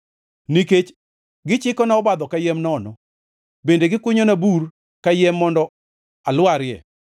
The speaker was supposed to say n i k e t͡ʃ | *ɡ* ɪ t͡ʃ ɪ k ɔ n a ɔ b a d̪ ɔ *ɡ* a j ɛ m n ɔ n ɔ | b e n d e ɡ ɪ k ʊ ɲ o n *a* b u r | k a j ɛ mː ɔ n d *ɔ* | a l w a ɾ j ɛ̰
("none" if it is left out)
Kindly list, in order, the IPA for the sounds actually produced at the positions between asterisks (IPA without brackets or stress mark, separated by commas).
ɡ, k, a, ɔ